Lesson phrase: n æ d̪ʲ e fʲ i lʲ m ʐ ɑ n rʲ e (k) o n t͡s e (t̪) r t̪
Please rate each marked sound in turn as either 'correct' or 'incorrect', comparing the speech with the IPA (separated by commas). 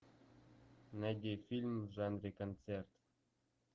correct, incorrect